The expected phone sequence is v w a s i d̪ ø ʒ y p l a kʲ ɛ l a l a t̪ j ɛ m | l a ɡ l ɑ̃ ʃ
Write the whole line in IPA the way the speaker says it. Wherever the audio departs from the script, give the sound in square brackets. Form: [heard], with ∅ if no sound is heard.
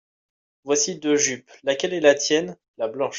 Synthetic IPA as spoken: v w a s i d̪ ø ʒ y p l a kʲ ɛ l [ɛ] l a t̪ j ɛ [n] | l a [b] l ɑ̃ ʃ